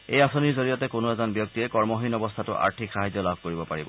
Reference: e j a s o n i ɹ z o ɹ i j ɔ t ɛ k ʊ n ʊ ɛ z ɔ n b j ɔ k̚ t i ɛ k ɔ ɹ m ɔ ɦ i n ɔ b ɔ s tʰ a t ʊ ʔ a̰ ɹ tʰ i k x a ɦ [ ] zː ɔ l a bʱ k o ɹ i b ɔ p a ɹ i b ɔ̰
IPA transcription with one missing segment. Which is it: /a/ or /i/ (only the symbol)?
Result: a